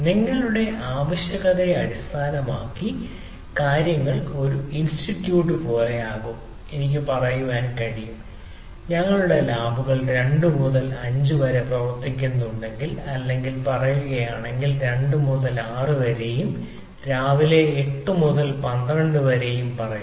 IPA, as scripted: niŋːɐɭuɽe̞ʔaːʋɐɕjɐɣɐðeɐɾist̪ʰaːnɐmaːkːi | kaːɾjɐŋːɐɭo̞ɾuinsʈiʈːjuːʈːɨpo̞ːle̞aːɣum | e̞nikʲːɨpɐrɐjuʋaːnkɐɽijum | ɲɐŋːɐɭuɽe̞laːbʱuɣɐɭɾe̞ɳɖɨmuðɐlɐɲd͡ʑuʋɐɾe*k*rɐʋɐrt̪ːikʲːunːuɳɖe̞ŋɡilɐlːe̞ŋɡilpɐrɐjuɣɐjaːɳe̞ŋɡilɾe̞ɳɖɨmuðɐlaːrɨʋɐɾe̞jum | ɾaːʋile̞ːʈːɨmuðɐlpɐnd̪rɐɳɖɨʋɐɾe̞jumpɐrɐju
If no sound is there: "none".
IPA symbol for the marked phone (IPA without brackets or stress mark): p